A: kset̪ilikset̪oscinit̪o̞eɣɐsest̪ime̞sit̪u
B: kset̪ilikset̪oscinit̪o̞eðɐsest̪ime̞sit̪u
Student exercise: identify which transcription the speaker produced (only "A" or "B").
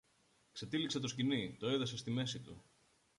B